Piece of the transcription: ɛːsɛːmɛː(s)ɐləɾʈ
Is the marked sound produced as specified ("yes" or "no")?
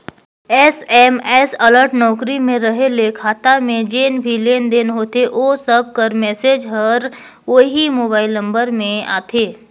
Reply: yes